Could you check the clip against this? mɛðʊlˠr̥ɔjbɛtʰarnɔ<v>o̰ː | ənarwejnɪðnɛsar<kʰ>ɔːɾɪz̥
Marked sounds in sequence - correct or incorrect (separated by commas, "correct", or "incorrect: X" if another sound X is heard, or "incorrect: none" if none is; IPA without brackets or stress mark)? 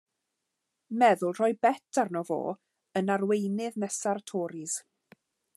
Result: correct, incorrect: tʰ